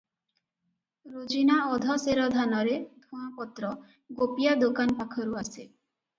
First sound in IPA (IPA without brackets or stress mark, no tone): ɾ